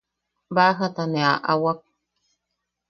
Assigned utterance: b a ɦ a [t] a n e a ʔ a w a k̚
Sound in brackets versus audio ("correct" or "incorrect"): correct